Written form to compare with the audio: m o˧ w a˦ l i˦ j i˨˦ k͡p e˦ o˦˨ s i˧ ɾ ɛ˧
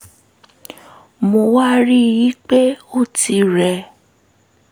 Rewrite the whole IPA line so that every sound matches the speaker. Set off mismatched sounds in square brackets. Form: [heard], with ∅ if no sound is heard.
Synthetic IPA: m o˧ w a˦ [ɾ] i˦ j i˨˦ k͡p e˦ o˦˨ [t] i˧ ɾ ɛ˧